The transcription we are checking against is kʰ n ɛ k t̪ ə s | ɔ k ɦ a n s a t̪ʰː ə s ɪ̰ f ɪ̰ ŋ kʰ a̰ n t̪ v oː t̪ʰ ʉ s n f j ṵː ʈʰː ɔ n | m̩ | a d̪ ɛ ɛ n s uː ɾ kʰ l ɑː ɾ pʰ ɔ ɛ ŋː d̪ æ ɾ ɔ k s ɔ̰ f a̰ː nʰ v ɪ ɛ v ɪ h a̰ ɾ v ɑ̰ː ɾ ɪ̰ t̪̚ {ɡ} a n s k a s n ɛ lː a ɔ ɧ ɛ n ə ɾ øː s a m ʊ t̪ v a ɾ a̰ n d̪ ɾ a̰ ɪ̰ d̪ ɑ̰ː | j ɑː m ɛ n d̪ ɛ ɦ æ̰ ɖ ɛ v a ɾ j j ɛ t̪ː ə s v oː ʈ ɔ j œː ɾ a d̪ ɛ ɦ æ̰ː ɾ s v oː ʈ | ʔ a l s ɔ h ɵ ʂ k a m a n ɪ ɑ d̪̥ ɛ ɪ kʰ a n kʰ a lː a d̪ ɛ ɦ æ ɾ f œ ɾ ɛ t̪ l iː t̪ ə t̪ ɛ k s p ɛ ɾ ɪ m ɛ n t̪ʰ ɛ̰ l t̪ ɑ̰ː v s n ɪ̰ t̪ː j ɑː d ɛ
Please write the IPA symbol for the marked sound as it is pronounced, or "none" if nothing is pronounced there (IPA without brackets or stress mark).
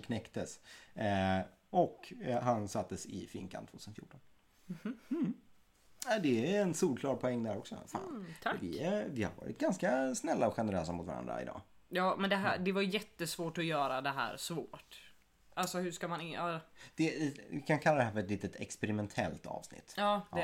ɡ